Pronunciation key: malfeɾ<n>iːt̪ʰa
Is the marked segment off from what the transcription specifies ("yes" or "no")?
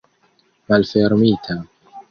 yes